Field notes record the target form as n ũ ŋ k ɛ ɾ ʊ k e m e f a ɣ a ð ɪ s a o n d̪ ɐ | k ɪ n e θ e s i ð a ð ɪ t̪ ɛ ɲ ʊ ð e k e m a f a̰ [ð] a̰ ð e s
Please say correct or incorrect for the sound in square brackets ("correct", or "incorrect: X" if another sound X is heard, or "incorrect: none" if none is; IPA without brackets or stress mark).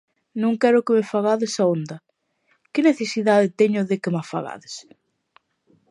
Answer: incorrect: ɣ